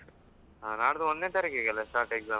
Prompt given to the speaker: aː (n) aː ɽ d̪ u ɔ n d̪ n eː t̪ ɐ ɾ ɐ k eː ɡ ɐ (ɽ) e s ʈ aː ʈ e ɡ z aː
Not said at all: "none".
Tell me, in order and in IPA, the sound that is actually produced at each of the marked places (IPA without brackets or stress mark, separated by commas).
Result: n, l